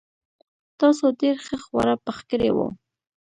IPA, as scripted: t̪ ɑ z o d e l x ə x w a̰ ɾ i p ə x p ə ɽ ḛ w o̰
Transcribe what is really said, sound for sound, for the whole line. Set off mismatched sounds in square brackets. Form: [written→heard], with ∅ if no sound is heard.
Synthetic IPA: t̪ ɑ [z→s] o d e [l→ɾ] x ə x w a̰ ɾ [i→a] p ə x [p→k] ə [ɽ→ɾ] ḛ w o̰